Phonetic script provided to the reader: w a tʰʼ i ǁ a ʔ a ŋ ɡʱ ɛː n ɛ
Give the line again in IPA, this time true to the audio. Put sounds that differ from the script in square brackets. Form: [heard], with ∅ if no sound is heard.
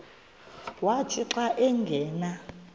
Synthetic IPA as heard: w a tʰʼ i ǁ a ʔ [ɛ] ŋ ɡʱ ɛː n [a]